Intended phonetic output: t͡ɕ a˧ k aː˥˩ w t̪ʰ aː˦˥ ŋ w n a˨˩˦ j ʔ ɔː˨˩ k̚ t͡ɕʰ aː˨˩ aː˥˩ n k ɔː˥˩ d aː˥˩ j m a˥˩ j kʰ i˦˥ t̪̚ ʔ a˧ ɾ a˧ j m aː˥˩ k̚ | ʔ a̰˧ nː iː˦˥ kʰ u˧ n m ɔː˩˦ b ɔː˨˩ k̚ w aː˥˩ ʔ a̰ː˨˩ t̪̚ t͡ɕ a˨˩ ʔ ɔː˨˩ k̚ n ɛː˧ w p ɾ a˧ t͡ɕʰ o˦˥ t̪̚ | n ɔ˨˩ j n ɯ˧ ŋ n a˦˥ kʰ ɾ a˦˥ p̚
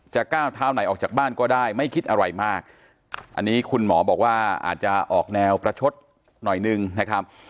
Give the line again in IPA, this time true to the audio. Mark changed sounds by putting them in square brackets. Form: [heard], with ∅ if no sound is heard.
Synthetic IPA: t͡ɕ [a˨˩] k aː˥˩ w t̪ʰ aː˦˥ [∅] w n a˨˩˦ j ʔ ɔː˨˩ k̚ [t͡ɕ] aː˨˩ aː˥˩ n k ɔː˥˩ d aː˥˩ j m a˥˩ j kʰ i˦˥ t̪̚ ʔ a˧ ɾ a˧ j m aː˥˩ k̚ | ʔ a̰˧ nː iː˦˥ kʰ u˧ n m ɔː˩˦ b ɔː˨˩ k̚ w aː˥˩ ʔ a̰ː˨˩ t̪̚ t͡ɕ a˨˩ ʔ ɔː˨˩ k̚ n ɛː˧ w p ɾ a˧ t͡ɕʰ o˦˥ t̪̚ | n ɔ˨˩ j n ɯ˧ ŋ n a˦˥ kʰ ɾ a˦˥ p̚